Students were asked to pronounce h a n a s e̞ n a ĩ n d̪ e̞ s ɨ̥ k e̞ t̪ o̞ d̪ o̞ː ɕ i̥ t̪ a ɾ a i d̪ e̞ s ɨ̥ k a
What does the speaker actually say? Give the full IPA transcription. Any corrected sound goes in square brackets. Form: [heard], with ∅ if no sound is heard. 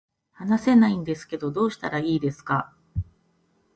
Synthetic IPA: h a n a s e̞ n a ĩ n d̪ e̞ s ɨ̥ k e̞ [d̪] o̞ d̪ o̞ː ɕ i̥ t̪ a ɾ a [iː] d̪ e̞ s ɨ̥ k a